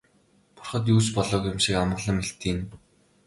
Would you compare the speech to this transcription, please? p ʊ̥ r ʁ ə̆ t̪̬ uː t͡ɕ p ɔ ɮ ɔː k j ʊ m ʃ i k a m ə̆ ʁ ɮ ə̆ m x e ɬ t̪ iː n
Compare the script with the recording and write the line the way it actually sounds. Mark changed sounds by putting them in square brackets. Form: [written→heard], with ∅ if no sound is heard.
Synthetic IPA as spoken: p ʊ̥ r [ʁ→χ] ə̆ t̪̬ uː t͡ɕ p ɔ ɮ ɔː k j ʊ m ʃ i k a m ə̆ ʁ ɮ ə̆ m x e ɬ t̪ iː n

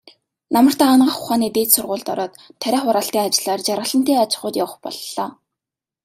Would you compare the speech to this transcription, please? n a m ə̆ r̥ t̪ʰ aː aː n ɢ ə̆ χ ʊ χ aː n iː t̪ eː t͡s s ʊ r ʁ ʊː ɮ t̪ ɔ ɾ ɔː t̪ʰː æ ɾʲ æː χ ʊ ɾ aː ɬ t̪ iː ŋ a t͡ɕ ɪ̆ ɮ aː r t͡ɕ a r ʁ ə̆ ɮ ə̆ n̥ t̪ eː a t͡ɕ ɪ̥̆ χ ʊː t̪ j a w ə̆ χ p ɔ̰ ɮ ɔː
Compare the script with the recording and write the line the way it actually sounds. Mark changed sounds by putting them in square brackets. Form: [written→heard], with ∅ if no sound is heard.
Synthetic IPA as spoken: n a m ə̆ r̥ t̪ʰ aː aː n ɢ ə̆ χ ʊ χ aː n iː t̪ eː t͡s s ʊ r ʁ ʊː ɮ t̪ ɔ ɾ ɔː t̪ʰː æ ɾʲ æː χ ʊ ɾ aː ɬ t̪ iː ŋ a t͡ɕ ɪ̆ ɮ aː r t͡ɕ a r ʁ ə̆ ɮ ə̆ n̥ t̪ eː a t͡ɕ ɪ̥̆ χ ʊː t̪ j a w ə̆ χ p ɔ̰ ɮ ɔː

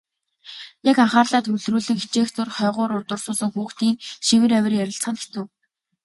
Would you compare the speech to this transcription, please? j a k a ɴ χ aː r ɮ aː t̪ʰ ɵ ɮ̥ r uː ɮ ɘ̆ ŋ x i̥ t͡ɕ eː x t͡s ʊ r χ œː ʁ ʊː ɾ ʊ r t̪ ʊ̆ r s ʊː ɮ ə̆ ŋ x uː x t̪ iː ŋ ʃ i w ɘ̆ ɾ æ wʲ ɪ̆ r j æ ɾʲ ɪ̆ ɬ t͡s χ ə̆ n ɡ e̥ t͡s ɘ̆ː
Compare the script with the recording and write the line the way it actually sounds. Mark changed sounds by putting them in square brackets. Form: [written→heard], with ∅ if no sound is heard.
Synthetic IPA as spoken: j a k a ɴ χ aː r ɮ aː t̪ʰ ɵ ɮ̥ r uː ɮ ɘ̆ ŋ x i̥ t͡ɕ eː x t͡s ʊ r χ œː ʁ ʊː ɾ ʊ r t̪ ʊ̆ r s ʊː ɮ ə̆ ŋ x uː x t̪ iː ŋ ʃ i w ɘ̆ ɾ æ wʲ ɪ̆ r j æ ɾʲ ɪ̆ ɬ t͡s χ ə̆ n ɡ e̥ t͡s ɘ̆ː

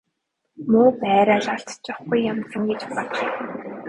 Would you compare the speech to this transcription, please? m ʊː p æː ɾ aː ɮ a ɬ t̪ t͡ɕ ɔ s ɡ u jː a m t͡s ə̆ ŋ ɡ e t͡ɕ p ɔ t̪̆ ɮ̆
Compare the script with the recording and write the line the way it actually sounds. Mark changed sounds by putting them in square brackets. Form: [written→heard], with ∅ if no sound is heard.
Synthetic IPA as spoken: m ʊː p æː ɾ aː ɮ a ɬ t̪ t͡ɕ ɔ [s→χ] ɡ u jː a m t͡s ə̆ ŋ ɡ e t͡ɕ p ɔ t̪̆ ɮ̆

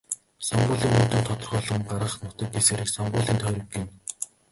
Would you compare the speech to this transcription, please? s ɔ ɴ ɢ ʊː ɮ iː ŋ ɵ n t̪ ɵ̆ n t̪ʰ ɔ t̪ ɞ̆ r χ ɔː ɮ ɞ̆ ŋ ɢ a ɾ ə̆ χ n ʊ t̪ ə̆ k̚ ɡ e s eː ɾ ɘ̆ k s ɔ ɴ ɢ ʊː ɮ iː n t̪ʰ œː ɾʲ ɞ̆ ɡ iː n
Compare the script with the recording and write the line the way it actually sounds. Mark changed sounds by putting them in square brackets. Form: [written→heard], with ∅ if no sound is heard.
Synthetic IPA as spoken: s ɔ ɴ ɢ ʊː ɮ iː ŋ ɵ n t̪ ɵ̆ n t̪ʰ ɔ t̪ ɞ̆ r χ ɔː ɮ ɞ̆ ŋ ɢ a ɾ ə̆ χ n ʊ t̪ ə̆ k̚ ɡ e s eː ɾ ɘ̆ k s ɔ ɴ ɢ ʊː ɮ iː n t̪ʰ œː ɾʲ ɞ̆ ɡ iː n

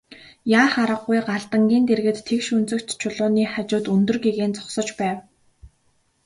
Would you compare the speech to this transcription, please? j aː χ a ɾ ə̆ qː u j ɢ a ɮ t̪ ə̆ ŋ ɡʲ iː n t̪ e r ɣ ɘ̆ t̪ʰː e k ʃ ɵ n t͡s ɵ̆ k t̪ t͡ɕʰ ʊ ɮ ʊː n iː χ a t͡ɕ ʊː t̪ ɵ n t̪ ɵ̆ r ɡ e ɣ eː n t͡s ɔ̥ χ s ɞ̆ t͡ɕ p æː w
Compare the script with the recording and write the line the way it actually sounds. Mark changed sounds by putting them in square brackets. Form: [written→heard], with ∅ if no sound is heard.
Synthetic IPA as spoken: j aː χ a ɾ ə̆ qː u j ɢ a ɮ t̪ ə̆ ŋ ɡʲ iː n t̪ e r ɣ ɘ̆ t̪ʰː e k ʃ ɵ n t͡s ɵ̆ k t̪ t͡ɕʰ ʊ ɮ ʊː n iː χ a t͡ɕ ʊː t̪ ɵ n t̪ ɵ̆ r ɡ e ɣ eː n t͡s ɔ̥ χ s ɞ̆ t͡ɕ p æː w

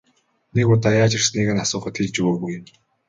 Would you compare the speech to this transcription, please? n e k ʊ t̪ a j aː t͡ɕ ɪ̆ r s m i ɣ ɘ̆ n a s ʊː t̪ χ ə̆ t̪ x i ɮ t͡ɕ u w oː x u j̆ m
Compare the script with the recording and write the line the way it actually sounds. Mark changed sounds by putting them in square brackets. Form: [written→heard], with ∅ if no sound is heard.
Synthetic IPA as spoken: n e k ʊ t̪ a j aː t͡ɕ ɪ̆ r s [m→n] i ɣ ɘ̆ n a s ʊː [t̪→∅] χ ə̆ t̪ x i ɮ t͡ɕ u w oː [x→ɣ] u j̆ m

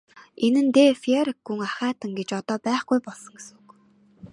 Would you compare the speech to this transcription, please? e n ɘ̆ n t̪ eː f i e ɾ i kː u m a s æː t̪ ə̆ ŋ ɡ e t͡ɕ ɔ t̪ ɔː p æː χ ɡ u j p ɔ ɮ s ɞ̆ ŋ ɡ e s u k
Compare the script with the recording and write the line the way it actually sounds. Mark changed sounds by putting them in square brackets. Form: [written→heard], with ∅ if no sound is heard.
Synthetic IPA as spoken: e n ɘ̆ n t̪ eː f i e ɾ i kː u [m→ŋ] a [s→χ] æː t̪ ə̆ ŋ ɡ e t͡ɕ ɔ t̪ ɔː p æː χ ɡ u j p ɔ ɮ s ɞ̆ ŋ ɡ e s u k

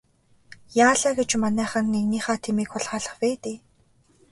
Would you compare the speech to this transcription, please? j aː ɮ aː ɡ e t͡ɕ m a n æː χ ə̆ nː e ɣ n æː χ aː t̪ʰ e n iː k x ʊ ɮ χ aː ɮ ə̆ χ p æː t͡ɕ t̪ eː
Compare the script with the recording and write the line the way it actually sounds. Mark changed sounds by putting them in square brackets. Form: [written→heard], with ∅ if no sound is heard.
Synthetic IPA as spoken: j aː ɮ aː ɡ e t͡ɕ m a n æː χ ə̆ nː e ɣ n [æː→iː] χ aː t̪ʰ e [n→m] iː k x ʊ ɮ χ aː ɮ ə̆ χ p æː [t͡ɕ→∅] t̪ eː

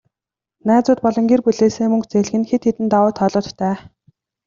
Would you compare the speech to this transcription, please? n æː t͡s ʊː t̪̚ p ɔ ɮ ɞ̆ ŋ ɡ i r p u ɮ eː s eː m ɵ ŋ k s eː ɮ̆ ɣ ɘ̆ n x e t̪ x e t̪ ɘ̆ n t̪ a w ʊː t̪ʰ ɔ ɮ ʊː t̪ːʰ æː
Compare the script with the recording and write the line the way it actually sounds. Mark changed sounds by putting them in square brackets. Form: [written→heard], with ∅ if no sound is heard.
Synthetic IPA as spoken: n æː t͡s ʊː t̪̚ p ɔ ɮ ɞ̆ ŋ ɡ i r p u ɮ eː s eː m ɵ ŋ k [s→t͡s] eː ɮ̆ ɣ ɘ̆ n x e t̪ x e t̪ ɘ̆ n t̪ a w ʊː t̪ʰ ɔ ɮ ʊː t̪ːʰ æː

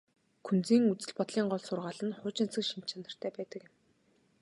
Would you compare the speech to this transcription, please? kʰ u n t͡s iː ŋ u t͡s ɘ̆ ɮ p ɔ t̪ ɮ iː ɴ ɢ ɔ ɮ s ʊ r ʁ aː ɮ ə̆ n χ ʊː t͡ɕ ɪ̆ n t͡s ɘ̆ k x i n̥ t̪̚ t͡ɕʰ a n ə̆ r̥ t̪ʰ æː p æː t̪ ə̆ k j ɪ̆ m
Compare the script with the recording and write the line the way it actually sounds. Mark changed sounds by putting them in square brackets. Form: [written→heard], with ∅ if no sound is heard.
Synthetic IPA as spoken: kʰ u n t͡s iː ŋ u t͡s ɘ̆ ɮ p ɔ t̪ ɮ iː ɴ ɢ ɔ ɮ s ʊ r ʁ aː ɮ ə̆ n χ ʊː t͡ɕ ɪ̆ n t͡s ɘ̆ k [x→ʃ] i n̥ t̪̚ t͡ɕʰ a n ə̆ r̥ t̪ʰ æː p æː t̪ ə̆ k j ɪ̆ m

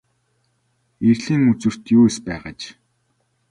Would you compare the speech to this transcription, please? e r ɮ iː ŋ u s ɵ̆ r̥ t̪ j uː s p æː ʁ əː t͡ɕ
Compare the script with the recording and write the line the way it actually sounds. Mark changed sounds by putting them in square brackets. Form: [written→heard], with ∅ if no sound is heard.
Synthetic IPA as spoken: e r ɮ iː ŋ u [s→t͡s] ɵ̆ r̥ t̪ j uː s p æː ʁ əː t͡ɕ

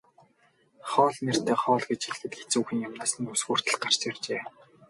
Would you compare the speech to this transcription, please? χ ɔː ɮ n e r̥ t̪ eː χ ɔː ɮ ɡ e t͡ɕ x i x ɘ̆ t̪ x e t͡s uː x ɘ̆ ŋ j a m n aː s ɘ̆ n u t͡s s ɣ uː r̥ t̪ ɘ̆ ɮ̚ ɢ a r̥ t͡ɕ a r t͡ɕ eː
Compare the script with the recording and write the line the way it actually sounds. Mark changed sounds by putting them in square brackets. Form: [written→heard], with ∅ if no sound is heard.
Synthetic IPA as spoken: χ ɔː ɮ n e r̥ t̪ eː χ ɔː ɮ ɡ e t͡ɕ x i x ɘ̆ t̪ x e t͡s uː x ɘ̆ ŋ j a m n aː s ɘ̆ n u [t͡s→∅] s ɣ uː r̥ t̪ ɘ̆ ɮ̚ ɢ a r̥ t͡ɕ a r t͡ɕ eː

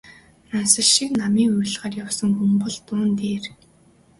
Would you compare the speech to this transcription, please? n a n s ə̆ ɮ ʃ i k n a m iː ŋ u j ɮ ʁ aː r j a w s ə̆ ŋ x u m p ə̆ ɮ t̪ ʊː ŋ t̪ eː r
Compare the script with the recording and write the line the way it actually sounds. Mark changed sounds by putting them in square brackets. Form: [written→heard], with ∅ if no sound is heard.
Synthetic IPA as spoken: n a n s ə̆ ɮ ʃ i k n a m iː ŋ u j ɮ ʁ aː r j a w s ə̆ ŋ x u m p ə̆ ɮ t̪ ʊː [ŋ→n] t̪ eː r

